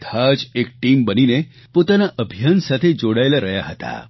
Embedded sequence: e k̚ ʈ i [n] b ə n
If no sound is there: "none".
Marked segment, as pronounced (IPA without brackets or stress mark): m